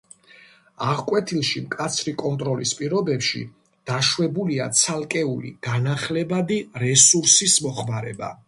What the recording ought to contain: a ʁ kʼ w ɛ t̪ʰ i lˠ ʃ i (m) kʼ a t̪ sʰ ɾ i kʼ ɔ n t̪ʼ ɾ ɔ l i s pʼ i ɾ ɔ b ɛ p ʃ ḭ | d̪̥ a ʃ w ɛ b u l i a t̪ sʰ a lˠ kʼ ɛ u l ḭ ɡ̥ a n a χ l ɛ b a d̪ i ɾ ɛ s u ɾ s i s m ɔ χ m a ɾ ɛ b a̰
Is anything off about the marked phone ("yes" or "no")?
no